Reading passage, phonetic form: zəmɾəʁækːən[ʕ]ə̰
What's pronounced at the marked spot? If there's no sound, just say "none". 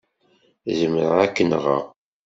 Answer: ʁ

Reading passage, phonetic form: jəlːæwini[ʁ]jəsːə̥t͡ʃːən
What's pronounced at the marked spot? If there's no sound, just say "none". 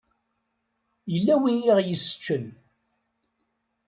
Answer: ʁ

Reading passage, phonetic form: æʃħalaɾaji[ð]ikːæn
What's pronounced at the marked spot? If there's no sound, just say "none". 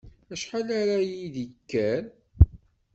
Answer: ð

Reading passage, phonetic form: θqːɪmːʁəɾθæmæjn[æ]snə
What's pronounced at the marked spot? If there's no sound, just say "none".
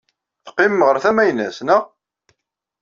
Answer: æ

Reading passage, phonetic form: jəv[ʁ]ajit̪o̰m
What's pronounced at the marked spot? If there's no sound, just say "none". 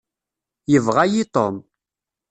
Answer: ʁ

